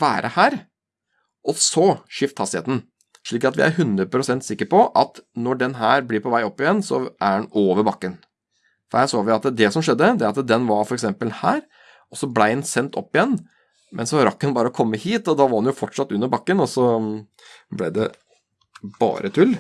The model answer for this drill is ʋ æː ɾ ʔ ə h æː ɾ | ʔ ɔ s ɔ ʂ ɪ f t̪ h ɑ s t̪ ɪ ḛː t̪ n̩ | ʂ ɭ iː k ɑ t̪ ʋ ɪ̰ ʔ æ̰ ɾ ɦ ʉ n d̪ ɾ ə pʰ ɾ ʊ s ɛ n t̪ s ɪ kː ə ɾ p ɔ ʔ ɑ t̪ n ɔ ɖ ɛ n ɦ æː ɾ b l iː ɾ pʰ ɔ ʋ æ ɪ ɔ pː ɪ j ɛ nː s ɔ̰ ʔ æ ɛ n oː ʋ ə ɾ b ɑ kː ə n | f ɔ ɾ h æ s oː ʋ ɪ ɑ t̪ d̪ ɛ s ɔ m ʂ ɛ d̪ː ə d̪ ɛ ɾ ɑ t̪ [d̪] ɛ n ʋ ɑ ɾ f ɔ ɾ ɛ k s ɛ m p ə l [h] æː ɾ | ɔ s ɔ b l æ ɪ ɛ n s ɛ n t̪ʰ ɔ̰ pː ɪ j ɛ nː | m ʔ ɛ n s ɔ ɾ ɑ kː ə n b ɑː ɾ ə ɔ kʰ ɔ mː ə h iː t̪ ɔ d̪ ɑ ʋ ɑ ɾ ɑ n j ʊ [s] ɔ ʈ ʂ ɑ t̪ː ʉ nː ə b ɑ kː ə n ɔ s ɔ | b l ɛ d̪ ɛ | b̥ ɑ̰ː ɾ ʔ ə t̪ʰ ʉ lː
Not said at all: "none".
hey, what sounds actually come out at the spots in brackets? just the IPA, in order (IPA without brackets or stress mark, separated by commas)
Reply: d̪, h, f